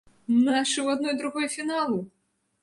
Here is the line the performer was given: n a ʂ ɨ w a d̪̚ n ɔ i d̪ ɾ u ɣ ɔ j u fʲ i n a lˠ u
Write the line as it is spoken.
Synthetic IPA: n a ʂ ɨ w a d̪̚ n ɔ j d̪ ɾ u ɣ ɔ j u fʲ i n a lˠ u